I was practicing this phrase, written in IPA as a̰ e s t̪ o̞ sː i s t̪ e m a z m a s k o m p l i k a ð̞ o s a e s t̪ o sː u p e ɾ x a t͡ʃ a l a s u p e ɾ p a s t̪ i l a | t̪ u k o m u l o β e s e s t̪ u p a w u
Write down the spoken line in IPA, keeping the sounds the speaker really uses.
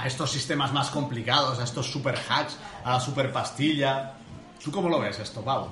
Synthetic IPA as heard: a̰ e s t̪ o̞ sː i s t̪ e m a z m a s k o m p l i k a ð̞ o s a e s t̪ o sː u p e ɾ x a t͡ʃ a l a s u p e ɾ p a s t̪ i ʎ a | t̪ u k o m o l o β e s e s t̪ o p a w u